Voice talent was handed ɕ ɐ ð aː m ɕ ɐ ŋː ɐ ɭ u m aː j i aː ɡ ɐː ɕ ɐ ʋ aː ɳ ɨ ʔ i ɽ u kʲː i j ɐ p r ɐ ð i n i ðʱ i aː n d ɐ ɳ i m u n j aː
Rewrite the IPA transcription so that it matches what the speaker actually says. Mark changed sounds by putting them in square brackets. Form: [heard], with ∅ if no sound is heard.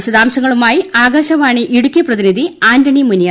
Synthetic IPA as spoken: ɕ ɐ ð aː m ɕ ɐ ŋː ɐ ɭ u m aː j i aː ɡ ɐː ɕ ɐ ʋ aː ɳ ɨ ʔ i ɽ u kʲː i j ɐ p r ɐ ð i n i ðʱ i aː n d ɐ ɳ i m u n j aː